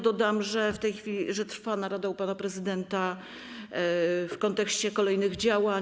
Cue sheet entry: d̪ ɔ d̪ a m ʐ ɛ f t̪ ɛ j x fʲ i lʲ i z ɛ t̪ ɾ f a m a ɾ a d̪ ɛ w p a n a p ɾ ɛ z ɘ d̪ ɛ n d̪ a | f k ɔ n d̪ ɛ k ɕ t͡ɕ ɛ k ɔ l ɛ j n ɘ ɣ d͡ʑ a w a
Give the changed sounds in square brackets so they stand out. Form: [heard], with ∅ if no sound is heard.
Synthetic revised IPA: d̪ ɔ d̪ a m ʐ ɛ f t̪ ɛ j x fʲ i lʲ i [ʐ] ɛ t̪ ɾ f a [n] a ɾ a d̪ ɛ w p a n a p ɾ ɛ z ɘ d̪ ɛ n [t̪] a | f k ɔ n [t̪] ɛ k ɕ t͡ɕ ɛ k ɔ l ɛ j n ɘ ɣ d͡ʑ a w a